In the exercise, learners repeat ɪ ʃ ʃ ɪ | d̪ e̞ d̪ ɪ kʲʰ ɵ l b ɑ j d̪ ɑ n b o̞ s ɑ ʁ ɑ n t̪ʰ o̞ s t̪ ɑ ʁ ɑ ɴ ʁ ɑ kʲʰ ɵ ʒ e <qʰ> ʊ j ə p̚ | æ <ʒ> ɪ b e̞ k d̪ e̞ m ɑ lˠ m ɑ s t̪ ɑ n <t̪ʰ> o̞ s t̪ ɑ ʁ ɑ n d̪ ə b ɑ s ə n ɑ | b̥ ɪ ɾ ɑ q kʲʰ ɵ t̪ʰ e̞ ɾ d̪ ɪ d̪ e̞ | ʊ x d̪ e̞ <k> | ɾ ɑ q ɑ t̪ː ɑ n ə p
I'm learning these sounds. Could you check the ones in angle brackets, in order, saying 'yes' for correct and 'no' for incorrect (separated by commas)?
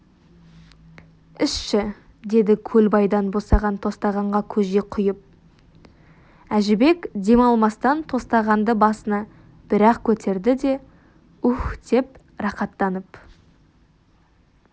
yes, yes, yes, no